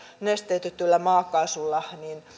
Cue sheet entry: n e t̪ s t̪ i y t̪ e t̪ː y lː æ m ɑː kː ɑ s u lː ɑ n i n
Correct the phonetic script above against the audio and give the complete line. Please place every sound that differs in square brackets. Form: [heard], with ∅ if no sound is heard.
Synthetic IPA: n e [∅] s t̪ [e] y t̪ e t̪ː y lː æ m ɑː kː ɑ s u lː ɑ n i n